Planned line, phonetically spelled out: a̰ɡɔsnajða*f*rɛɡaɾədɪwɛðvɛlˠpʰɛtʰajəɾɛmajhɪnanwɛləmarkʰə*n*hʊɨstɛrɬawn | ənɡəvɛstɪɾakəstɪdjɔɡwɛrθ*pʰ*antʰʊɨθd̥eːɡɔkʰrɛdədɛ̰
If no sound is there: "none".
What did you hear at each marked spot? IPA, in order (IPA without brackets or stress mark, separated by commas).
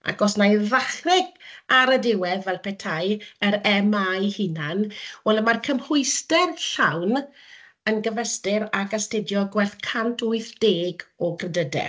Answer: χ, m, kʰ